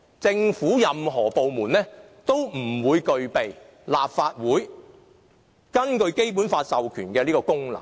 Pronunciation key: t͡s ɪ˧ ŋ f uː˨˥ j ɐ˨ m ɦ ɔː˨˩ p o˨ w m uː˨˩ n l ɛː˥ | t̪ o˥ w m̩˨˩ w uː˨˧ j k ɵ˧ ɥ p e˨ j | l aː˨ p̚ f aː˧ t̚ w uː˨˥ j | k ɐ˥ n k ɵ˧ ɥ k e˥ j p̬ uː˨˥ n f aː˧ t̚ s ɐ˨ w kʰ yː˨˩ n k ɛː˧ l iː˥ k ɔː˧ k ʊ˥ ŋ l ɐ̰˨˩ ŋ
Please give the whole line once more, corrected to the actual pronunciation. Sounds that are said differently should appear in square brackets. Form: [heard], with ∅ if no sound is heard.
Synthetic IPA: t͡s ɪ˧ ŋ f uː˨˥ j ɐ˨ m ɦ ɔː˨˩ p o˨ w m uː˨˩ n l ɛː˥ | t̪ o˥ w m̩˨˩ w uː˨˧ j k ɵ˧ ɥ p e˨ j | l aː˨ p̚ f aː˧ t̚ w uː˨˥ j | k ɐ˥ n k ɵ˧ ɥ k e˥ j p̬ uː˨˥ n f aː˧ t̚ s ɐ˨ w kʰ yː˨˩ n k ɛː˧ l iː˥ k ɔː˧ k ʊ˥ ŋ l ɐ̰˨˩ ŋ